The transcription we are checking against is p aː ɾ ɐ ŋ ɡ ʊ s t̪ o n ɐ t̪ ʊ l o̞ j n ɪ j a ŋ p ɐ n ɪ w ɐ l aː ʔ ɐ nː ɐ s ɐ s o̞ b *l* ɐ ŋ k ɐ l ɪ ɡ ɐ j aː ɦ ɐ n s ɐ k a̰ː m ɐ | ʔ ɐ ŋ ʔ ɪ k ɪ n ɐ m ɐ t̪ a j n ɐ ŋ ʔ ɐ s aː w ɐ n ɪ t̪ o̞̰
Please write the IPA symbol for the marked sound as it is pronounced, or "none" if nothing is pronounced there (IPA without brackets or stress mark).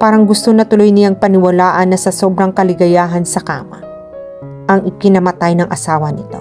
ɾ